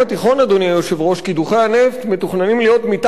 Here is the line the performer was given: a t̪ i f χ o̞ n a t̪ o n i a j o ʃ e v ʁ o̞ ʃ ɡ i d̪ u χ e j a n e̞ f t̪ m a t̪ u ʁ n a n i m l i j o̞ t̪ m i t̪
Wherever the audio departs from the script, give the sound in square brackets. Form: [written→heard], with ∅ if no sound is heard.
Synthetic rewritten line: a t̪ i [f→∅] χ o̞ n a [t̪→d̪] o n i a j o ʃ e v ʁ o̞ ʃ [ɡ→k] i d̪ u χ e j a n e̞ f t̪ m [a→e] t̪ u [ʁ→χ] n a n i m l i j o̞ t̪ m i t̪